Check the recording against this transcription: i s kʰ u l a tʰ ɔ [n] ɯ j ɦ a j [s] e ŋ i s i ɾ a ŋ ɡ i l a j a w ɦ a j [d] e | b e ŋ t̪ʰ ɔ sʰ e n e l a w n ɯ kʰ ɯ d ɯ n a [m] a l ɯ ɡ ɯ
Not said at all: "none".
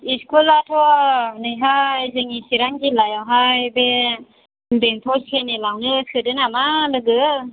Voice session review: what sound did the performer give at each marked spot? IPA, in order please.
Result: n, z, b, m

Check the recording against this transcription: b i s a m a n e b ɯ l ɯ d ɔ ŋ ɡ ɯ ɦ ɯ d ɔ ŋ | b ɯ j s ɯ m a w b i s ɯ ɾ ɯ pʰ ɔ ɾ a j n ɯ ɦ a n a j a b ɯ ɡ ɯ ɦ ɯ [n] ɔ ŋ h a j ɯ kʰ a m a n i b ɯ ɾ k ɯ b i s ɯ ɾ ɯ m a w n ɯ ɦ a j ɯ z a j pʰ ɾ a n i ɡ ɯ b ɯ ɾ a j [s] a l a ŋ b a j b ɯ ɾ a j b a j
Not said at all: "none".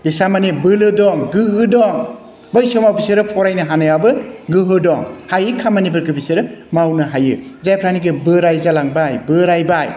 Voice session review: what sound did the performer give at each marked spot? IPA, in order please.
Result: d, z

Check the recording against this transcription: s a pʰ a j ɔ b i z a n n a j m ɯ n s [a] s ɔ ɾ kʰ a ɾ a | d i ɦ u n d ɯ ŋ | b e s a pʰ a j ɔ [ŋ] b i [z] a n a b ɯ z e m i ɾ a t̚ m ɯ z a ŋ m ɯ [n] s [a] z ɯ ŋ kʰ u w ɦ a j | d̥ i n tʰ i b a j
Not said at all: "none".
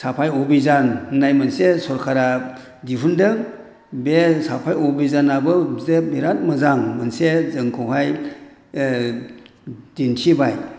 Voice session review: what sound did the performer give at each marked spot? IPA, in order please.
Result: e, none, z, n, e

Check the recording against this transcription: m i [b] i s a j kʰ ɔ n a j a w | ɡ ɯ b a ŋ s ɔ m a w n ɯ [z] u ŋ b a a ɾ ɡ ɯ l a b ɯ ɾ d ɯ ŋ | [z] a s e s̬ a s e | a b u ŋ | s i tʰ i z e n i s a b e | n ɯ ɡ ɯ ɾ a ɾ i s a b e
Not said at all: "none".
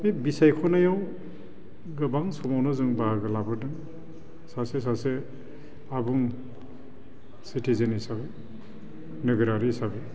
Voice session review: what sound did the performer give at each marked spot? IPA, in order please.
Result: b, z, s

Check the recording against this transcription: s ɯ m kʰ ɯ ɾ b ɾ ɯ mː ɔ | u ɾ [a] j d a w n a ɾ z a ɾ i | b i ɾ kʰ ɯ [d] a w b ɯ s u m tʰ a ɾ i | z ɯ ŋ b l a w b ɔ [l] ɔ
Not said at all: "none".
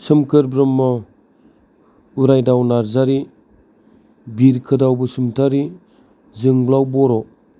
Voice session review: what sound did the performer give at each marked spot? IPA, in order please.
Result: a, d, ɾ

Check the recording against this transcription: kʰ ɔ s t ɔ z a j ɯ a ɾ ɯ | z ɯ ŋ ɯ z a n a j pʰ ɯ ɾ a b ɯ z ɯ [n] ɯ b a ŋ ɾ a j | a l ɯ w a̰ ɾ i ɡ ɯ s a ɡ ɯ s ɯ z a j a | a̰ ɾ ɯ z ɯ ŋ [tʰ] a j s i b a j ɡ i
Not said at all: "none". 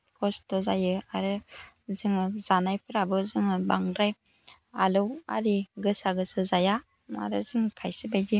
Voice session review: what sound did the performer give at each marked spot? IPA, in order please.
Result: ŋ, kʰ

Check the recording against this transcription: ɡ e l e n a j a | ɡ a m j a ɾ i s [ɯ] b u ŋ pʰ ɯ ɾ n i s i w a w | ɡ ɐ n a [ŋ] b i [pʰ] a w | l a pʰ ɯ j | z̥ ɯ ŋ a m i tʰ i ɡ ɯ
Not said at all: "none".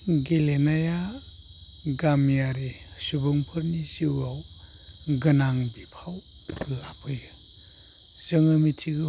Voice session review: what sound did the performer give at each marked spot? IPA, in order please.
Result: u, ŋ, pʰ

